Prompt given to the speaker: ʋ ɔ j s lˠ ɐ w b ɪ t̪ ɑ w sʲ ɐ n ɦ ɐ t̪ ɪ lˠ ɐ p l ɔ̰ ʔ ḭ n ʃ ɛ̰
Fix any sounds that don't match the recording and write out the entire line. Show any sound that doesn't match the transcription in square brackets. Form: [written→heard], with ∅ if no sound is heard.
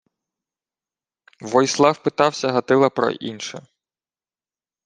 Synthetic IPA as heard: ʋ ɔ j s lˠ [ɐ→ɑ] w [b→p] ɪ t̪ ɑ w sʲ ɐ [n→∅] ɦ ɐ t̪ ɪ lˠ ɐ p [l→ɾ] ɔ̰ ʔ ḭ n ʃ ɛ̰